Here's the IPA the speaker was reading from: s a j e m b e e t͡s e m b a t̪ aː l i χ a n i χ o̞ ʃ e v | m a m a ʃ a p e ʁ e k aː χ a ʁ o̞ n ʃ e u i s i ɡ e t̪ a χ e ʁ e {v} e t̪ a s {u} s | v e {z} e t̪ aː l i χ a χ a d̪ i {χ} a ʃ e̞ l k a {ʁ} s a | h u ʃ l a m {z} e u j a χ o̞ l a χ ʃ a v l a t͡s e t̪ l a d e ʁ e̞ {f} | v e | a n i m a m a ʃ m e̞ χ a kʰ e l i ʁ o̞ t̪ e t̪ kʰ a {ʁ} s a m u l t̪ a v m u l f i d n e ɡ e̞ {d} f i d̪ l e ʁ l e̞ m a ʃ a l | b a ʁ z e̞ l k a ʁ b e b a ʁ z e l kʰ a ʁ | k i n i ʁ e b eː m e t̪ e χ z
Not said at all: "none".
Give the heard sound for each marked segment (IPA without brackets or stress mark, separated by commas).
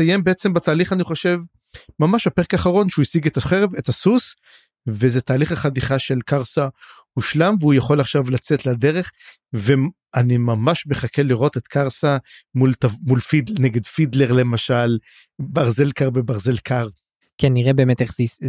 v, u, z, χ, ʁ, v, χ, ʁ, d